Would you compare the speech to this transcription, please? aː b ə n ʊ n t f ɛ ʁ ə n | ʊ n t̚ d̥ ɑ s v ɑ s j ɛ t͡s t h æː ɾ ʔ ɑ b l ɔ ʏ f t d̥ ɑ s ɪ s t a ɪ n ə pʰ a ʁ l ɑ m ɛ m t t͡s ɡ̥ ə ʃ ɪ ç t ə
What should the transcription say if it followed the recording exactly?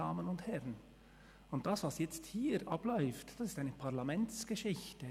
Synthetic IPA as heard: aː m ə n ʊ n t h ɛ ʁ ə n | ʊ n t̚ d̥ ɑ s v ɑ s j ɛ t͡s t h iː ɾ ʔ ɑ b l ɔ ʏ f t d̥ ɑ s ɪ s t a ɪ n ə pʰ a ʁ l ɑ m ɛ n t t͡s ɡ̥ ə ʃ ɪ ç t ə